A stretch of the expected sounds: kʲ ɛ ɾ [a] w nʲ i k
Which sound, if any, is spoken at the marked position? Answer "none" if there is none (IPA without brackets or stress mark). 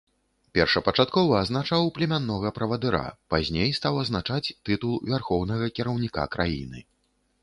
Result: ɐ